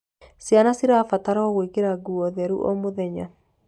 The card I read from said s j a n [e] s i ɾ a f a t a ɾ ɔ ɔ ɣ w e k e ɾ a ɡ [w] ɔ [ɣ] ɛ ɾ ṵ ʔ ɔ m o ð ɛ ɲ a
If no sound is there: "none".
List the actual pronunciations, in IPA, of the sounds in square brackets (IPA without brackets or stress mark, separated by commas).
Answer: a, u, ð